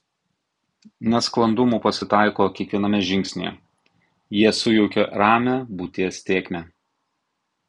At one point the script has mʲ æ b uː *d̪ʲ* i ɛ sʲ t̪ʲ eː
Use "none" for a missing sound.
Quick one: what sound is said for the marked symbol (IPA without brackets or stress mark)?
t̪ʲ